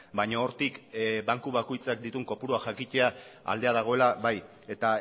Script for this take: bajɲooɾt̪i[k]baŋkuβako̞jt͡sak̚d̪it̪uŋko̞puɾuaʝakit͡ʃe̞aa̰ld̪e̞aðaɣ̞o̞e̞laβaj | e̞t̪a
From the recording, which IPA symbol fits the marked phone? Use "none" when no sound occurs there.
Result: k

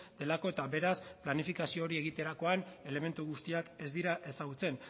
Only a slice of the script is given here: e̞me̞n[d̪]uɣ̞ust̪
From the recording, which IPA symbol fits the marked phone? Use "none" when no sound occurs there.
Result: t̪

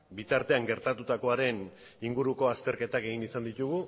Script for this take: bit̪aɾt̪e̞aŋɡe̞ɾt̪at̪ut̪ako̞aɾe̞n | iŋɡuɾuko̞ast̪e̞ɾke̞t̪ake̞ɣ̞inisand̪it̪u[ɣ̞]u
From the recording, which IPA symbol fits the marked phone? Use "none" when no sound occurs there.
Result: ɣ̞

